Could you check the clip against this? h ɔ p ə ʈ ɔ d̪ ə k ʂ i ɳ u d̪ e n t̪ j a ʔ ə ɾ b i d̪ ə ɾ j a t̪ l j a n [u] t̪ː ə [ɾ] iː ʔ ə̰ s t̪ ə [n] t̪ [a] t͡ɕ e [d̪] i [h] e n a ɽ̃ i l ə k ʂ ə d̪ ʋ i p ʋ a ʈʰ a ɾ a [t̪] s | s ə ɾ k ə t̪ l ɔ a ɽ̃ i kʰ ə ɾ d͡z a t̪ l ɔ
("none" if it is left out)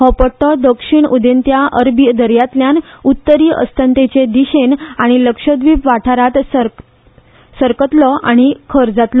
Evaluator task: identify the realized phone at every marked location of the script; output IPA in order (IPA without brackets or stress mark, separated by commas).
u, ɾ, n, e, d̪, ɕ, t̪